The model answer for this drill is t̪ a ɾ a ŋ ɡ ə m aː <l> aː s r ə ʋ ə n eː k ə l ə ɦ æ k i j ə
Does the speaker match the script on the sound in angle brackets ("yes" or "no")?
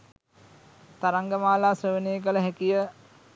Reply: yes